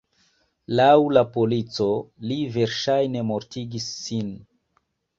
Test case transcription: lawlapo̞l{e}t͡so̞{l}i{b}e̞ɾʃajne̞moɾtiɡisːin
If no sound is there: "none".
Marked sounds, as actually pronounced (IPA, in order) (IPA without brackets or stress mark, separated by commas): i, l, v